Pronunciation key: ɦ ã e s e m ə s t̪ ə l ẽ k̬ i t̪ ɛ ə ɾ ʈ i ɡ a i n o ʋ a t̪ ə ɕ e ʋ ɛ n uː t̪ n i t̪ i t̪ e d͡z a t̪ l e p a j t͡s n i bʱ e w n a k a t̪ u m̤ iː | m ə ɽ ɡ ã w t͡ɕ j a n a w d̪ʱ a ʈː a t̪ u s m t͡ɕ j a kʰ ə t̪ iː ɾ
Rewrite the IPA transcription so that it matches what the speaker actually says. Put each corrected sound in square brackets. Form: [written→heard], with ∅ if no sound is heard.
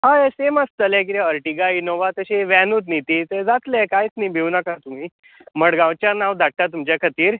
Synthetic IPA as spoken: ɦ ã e s e m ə s t̪ ə l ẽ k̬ i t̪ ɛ ə ɾ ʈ i ɡ a i n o ʋ a t̪ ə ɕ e ʋ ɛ n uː t̪ n i t̪ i t̪ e d͡z a t̪ l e [p→k] a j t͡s n i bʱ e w n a k a t̪ u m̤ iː | m ə ɽ ɡ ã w t͡ɕ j a n a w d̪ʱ a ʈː a t̪ u [s→∅] m t͡ɕ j a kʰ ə t̪ iː ɾ